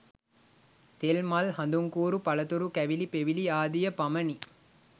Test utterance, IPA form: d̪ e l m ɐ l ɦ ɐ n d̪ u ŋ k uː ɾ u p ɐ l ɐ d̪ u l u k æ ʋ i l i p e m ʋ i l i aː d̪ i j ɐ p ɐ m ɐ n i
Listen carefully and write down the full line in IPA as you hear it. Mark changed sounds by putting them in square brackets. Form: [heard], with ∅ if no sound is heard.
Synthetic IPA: [t̪] e l m ɐ l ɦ ɐ n d̪ u ŋ k uː ɾ u p ɐ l ɐ [t̪] u [ɾ] u k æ ʋ i l i p e [∅] ʋ i l i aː d̪ i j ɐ p ɐ m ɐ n i